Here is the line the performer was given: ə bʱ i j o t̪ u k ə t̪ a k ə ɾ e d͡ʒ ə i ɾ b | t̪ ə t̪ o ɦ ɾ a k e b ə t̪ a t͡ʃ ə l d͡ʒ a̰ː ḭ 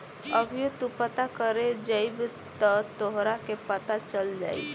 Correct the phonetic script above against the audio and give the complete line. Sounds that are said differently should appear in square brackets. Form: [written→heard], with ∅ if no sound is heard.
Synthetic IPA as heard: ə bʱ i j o t̪ u [k→p] ə t̪ a k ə ɾ e d͡ʒ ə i [ɾ→∅] b | t̪ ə t̪ o ɦ ɾ a k e [b→p] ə t̪ a t͡ʃ ə l d͡ʒ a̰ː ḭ